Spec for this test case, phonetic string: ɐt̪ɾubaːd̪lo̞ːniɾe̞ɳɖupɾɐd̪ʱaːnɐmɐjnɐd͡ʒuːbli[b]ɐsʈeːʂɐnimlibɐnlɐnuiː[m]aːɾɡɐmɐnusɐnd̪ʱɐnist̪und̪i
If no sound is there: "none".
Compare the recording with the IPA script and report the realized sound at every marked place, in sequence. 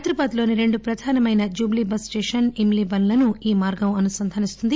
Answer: b, m

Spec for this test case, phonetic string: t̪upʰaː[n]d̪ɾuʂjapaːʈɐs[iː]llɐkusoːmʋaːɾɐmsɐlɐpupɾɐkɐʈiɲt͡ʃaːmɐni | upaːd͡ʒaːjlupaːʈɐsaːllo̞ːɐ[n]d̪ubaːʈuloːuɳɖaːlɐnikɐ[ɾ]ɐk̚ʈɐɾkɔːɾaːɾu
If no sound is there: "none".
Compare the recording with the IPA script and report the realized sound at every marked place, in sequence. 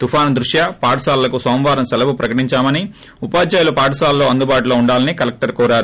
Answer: n, aː, n, l

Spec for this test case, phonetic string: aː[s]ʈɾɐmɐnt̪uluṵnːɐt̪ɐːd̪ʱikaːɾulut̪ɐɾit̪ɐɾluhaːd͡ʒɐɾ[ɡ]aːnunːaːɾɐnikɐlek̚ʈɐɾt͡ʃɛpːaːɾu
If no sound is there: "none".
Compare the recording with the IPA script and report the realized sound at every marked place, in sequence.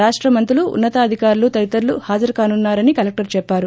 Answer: ʂ, k

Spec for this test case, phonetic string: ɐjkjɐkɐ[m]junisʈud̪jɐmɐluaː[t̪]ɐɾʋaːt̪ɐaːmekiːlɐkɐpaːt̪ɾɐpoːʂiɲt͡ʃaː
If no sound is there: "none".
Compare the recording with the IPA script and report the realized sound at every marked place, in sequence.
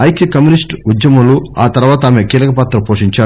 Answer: m, t̪

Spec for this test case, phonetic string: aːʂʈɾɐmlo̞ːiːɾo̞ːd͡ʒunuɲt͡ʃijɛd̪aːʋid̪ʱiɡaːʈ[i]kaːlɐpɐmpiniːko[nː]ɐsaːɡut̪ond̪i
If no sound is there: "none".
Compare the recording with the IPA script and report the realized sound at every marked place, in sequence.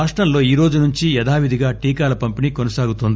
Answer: iː, n

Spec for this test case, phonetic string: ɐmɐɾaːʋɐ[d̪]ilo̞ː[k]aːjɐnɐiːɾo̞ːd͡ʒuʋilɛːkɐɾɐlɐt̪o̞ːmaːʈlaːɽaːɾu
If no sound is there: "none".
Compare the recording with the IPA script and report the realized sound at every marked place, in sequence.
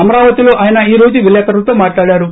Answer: t̪, ʔ

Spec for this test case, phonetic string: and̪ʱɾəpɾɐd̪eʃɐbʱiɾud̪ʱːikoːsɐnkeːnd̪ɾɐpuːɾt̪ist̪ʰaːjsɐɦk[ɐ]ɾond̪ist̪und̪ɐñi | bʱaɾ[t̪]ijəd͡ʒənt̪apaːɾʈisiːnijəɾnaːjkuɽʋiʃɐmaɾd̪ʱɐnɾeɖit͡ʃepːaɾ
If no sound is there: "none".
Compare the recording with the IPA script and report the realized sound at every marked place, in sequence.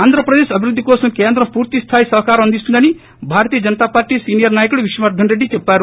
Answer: a, t̪

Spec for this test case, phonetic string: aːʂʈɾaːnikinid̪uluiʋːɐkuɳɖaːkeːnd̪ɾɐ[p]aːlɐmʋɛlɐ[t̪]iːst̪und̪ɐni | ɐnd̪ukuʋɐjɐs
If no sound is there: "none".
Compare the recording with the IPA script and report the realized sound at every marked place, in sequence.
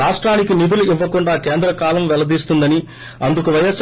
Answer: k, d̪

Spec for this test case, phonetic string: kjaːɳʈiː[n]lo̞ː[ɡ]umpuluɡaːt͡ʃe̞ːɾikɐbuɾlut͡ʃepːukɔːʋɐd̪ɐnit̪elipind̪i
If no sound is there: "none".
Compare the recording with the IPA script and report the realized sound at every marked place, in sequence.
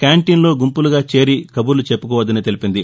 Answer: n, ɡ

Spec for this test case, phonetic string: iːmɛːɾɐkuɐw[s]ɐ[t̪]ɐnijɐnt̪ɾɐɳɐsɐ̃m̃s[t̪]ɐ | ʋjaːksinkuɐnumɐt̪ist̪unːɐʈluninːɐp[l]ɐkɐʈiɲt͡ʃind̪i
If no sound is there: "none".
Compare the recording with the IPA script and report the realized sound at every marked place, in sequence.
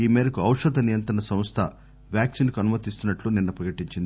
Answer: ʂ, d̪, t̪ʰ, ɾ

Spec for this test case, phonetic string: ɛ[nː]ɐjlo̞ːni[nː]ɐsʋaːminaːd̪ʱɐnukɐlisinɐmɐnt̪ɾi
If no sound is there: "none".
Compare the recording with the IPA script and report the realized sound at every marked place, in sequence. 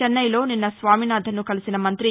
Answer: nː, nː

